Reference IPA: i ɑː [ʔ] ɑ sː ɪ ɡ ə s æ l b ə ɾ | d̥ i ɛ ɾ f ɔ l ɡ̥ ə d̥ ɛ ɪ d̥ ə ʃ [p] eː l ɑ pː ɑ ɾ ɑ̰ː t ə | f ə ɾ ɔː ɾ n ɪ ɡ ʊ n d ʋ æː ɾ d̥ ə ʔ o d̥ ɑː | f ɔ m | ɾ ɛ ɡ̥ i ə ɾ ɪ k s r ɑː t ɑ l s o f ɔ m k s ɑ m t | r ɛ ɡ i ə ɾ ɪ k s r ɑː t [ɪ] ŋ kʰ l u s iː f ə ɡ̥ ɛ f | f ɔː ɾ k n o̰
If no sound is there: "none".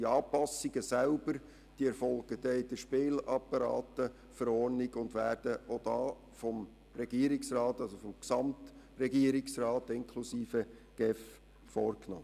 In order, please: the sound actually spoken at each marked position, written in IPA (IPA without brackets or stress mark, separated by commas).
p, p, ɪ